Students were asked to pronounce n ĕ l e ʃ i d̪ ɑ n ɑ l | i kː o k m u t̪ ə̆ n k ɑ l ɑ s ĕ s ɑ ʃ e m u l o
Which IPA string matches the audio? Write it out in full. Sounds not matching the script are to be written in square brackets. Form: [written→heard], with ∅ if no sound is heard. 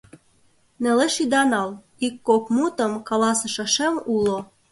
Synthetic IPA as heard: n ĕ l e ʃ i d̪ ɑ n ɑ l | i kː o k m u t̪ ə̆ [n→m] k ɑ l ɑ s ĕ [s→ʃ] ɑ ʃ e m u l o